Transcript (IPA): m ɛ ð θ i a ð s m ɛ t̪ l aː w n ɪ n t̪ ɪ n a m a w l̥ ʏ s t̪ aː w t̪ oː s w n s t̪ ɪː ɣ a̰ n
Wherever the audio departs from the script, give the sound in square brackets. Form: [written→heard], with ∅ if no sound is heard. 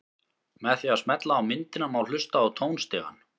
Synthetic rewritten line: m ɛ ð θ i a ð s m ɛ t̪ l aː w [n→m] ɪ n t̪ ɪ n a m a w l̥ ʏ s t̪ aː w [t̪→t̪ʰ] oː [s→∅] w n s t̪ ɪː ɣ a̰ n